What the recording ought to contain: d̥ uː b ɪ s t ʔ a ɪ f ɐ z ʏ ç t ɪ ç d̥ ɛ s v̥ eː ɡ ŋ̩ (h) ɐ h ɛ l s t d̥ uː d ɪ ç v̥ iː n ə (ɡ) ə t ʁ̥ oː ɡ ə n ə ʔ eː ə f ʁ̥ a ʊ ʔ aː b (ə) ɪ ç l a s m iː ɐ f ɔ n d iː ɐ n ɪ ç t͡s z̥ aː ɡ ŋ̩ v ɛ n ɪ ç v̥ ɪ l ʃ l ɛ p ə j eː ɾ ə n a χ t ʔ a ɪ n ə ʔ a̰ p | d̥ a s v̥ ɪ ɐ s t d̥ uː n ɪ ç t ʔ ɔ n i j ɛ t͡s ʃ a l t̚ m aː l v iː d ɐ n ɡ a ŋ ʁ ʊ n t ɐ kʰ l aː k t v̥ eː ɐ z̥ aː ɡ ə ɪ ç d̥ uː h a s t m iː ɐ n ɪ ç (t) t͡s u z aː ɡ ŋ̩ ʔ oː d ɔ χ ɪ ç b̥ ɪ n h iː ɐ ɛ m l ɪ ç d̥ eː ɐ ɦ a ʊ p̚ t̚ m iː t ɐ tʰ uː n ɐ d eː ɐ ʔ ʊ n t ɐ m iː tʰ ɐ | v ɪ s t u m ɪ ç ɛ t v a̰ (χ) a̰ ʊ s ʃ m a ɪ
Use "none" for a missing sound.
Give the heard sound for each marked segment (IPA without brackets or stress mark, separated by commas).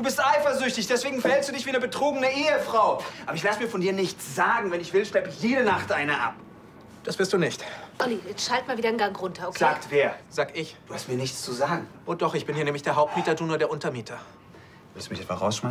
f, b, ɐ, t͡s, ʁ